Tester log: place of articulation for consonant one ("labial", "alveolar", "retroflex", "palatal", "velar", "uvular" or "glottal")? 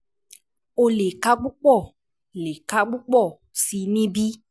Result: alveolar